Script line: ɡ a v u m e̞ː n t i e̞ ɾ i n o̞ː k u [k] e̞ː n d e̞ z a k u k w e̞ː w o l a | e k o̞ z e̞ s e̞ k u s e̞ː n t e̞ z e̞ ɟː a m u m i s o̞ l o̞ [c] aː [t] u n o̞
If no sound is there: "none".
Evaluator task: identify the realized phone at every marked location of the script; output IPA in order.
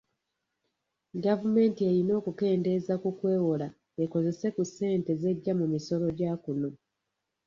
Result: k, ɟ, k

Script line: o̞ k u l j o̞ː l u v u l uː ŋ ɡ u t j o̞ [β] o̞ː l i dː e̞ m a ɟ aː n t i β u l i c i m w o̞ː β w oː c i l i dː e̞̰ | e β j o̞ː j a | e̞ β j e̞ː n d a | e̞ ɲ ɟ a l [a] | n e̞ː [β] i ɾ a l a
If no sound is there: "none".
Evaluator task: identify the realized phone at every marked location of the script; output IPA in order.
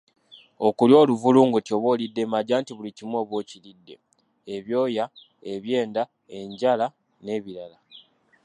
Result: β, a, β

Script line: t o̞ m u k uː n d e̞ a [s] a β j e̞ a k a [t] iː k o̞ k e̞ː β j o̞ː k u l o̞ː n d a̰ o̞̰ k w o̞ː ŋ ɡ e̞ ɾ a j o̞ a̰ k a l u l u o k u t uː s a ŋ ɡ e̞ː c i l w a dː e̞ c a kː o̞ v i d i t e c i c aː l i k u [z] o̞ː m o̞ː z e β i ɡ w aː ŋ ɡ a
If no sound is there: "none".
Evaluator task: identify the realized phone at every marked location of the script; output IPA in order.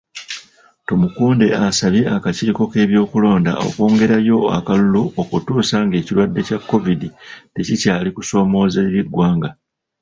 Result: s, c, s

